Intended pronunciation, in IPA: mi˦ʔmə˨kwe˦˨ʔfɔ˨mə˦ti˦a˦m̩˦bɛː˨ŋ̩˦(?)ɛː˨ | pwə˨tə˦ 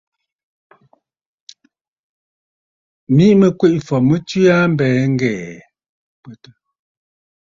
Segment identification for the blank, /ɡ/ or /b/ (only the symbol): ɡ